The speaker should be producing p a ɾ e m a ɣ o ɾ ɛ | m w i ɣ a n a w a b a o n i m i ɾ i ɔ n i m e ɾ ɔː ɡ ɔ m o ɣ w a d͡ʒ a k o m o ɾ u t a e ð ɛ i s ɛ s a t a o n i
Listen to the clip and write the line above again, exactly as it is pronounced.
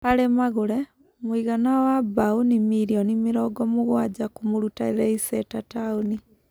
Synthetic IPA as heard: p a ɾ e m a ɣ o ɾ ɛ | m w i ɣ a n a w a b a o n i m i ɾ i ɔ n i m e ɾ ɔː ɡ ɔ m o ɣ w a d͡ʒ a k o m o ɾ u t a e ð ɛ i s ɛ t a t a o n i